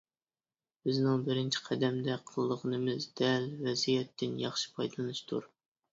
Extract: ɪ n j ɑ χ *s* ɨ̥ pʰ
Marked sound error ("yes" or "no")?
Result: yes